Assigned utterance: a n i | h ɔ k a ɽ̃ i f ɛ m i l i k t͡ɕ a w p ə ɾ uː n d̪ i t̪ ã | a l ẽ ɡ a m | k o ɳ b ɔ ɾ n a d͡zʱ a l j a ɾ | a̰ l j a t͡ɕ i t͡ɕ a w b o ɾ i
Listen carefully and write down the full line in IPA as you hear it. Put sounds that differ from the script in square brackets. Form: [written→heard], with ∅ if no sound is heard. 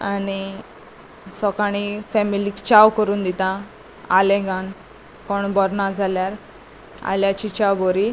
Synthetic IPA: a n i | [h→s] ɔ k a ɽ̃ i f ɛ m i l i k t͡ɕ a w [p→k] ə ɾ uː n d̪ i t̪ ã | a l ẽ ɡ a [m→n] | k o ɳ b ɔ ɾ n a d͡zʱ a l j a ɾ | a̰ l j a t͡ɕ i t͡ɕ a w b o ɾ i